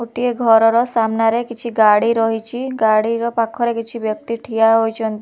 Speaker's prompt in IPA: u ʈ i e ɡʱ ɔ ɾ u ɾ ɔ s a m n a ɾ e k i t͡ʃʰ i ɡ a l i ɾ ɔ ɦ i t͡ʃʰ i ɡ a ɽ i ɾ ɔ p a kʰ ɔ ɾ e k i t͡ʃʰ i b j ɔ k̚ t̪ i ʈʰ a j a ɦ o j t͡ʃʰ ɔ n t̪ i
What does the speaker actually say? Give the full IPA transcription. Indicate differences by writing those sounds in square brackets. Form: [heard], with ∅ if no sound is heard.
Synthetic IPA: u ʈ i e ɡʱ ɔ ɾ [ɔ] ɾ ɔ s a m n a ɾ e k i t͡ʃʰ i ɡ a [ɽ] i ɾ ɔ ɦ i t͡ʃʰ i ɡ a ɽ i ɾ ɔ p a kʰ ɔ ɾ e k i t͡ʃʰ i b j ɔ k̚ t̪ i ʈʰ [i] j a ɦ o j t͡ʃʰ ɔ n t̪ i